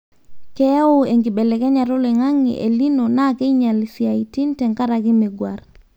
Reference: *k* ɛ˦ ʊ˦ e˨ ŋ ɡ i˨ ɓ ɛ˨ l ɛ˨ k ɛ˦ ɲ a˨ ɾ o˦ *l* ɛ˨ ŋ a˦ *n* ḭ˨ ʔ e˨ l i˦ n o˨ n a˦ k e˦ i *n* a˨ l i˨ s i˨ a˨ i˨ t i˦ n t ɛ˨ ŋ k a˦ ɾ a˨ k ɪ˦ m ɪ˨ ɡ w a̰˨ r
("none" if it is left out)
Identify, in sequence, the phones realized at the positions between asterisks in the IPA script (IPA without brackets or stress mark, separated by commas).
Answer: k, l, ŋ, ɲ